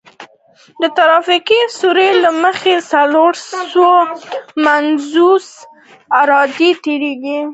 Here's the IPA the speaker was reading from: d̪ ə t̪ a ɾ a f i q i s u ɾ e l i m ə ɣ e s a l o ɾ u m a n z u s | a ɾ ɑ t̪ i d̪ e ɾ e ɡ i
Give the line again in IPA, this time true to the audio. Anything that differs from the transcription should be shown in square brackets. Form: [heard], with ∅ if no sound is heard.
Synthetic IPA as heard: d̪ ə t̪ a ɾ [ɑ] f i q i s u ɾ e l [a] m ə [x] e s a l o ɾ [o] m a n z u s | a ɾ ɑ [d̪] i [t̪] e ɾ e ɡ i

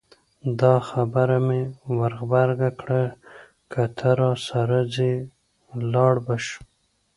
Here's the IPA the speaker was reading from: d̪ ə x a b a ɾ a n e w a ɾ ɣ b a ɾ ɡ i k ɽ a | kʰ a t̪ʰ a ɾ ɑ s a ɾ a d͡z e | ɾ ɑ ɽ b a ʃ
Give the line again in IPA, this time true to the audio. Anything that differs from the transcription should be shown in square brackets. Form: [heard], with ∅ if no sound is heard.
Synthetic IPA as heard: d̪ [ɑ] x a b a ɾ a [m] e w a ɾ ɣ b a ɾ ɡ [a] k ɽ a | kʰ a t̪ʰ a ɾ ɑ s a ɾ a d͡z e | [l] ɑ ɽ b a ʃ

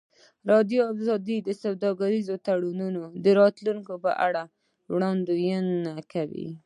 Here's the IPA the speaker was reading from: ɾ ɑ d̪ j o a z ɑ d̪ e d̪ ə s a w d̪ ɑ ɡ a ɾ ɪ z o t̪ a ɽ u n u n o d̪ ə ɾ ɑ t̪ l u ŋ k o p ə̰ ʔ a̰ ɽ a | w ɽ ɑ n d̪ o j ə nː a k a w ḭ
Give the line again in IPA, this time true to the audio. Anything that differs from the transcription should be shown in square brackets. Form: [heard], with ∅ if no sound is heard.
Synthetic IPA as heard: ɾ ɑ d̪ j o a z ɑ d̪ [i] d̪ ə s a w d̪ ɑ ɡ a ɾ [i] z o t̪ a ɽ u n u n o d̪ ə ɾ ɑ t̪ l u ŋ k o p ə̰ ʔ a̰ ɽ a | w ɽ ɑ n d̪ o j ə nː a k a w ḭ

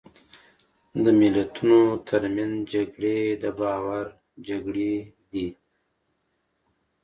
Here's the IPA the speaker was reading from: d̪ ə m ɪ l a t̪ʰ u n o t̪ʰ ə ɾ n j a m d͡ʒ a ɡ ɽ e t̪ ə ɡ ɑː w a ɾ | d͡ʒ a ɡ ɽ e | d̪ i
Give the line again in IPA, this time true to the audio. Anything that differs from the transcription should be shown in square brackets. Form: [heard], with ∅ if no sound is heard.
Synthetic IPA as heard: d̪ ə m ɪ l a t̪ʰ u n o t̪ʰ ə ɾ [m] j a [n] d͡ʒ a ɡ ɽ e [d̪] ə [b] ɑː w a ɾ | d͡ʒ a ɡ ɽ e | d̪ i

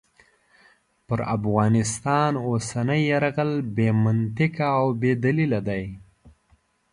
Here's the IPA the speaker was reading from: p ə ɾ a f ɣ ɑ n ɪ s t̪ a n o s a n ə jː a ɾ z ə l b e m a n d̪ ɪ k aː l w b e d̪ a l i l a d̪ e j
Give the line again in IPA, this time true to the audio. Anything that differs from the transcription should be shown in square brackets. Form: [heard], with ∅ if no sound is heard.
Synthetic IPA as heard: p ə ɾ a f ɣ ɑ n ɪ s t̪ [ɑ] n o s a n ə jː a ɾ [ɣ] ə l b e m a n [t̪] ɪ k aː [∅] w b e d̪ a l i l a d̪ [a] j

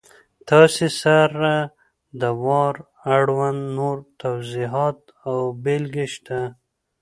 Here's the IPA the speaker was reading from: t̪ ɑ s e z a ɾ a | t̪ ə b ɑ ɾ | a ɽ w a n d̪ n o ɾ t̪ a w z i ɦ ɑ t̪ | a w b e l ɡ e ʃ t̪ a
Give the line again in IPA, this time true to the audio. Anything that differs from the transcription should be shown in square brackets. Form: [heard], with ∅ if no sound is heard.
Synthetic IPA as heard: t̪ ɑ s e [s] a ɾ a | [d̪] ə [w] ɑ ɾ | a ɽ w a n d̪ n o ɾ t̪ a w z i ɦ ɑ t̪ | a w b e l ɡ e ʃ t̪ a

